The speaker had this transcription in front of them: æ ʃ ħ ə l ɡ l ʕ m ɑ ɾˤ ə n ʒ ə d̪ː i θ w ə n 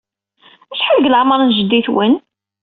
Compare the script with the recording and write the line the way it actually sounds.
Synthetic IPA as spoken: æ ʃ ħ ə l ɡ l ʕ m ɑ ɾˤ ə n ʒ ə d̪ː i θ w ə n